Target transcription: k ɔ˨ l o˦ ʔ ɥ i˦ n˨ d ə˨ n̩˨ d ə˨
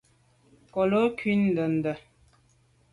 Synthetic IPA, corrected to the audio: k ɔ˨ l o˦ k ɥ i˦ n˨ d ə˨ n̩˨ d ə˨